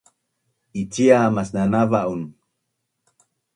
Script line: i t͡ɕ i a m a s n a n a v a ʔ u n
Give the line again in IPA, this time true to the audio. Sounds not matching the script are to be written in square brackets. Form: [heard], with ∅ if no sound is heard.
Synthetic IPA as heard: i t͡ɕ i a m a s n a n a v a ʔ u n